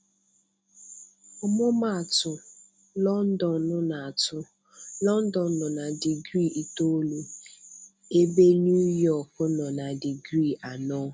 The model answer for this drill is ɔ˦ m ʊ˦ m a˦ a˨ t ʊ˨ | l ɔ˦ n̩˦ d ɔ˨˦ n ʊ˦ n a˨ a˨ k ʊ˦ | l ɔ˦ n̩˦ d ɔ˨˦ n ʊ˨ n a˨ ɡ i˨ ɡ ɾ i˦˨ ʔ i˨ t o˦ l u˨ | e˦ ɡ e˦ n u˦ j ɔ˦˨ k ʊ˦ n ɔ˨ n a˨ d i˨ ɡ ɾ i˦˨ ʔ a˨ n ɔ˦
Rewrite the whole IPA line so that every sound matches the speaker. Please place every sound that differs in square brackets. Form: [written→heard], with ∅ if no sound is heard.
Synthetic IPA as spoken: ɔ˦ m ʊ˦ m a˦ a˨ t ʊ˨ | l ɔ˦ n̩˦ d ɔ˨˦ n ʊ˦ n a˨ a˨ [k→t] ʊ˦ | l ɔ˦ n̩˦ d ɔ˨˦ n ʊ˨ n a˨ [ɡ→d] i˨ ɡ ɾ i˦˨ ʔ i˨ t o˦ l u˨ | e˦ [ɡ→b] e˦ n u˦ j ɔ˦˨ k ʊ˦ n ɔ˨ n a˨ d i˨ ɡ ɾ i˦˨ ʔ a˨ n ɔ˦